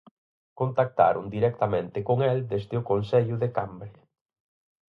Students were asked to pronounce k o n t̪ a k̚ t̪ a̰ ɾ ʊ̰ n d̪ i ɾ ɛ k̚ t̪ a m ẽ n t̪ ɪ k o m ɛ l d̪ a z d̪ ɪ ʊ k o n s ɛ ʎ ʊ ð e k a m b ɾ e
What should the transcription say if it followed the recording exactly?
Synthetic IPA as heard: k o n t̪ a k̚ t̪ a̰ ɾ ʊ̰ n d̪ i ɾ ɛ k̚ t̪ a m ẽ n t̪ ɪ k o ŋ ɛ l d̪ e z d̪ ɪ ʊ k o n s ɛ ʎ ʊ ð e k a m b ɾ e